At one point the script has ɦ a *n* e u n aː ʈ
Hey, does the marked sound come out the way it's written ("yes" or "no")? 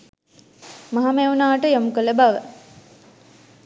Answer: no